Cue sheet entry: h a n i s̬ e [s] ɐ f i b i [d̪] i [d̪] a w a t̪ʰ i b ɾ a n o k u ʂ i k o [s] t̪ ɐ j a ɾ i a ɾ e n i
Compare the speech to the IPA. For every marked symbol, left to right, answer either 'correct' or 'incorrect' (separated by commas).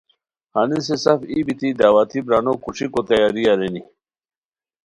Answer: correct, incorrect, correct, incorrect